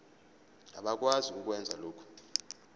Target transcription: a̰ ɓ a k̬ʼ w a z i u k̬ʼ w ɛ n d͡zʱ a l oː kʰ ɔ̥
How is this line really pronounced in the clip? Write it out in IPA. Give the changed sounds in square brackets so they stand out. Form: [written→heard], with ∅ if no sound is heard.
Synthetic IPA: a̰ ɓ a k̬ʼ w a z i u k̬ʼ w ɛ n d͡zʱ a l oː kʰ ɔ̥